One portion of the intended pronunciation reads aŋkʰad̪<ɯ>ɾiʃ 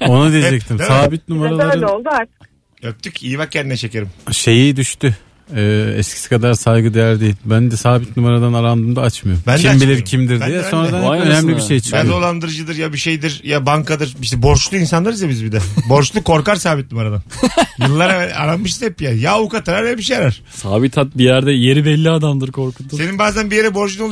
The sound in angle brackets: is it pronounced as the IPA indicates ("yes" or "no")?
yes